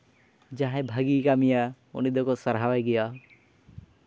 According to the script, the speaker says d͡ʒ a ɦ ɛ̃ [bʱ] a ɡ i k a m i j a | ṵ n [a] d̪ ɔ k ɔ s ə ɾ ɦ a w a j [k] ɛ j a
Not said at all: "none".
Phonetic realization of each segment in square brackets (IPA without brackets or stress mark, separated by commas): bʱ, i, ɡ